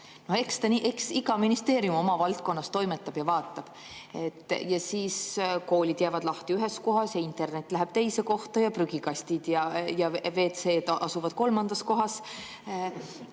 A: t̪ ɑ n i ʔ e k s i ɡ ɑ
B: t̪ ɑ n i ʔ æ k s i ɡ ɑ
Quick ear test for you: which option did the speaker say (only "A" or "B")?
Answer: A